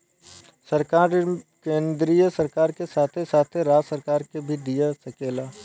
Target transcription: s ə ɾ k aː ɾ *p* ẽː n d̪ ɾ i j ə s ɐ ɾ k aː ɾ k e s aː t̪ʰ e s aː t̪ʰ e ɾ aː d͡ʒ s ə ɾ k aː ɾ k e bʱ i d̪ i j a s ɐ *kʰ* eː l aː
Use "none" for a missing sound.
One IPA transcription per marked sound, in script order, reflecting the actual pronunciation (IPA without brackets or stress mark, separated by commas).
k, k